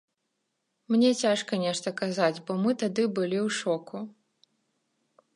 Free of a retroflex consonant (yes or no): no